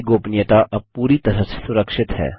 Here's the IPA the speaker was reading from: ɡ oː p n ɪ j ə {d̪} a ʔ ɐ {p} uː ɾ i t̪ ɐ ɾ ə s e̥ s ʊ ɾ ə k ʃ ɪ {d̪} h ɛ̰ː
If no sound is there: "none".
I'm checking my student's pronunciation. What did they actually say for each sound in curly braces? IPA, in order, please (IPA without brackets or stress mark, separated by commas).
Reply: t̪, p, t̪